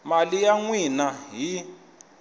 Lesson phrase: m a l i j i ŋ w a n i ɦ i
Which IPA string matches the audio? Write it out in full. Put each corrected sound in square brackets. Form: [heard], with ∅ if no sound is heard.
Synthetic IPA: m a l i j [a] ŋ w [i] n [a] ɦ i

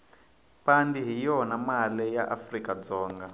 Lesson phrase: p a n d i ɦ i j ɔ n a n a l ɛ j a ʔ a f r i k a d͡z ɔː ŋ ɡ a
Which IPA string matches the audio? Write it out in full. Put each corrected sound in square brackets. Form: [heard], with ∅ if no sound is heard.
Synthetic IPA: p a n d i ɦ i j ɔ n a [m] a l ɛ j a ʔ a f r i k a d͡z ɔː ŋ ɡ a

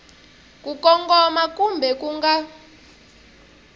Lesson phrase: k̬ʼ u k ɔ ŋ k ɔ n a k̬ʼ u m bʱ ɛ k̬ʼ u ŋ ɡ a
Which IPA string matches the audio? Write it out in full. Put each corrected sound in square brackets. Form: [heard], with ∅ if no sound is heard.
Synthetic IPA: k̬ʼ u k ɔ ŋ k ɔ [m] a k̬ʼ u m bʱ ɛ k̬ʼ u ŋ ɡ a

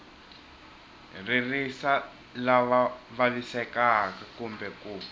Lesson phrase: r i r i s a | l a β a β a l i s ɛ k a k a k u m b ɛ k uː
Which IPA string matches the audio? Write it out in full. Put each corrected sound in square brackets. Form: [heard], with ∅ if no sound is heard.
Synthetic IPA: r i r i s a | l a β a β a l i s ɛ k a k a k u m b ɛ k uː

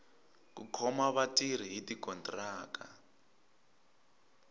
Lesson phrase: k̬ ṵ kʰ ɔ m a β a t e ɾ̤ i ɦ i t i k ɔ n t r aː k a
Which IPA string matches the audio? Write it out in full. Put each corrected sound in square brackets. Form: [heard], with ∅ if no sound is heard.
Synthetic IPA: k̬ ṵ kʰ ɔ m a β a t [i] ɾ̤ i ɦ i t i k ɔ n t r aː k a

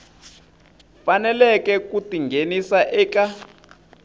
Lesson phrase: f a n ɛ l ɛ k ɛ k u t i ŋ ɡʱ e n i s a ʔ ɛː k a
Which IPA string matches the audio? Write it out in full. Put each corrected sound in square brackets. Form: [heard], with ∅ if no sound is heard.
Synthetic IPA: f a n ɛ l ɛ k ɛ k u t i ŋ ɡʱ e n i s a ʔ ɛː k a

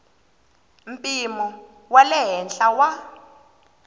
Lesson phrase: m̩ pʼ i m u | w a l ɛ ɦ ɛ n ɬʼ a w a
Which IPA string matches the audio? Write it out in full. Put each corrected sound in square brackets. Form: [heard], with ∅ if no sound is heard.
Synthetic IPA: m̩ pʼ i m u | w a l ɛ ɦ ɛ n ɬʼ a w a

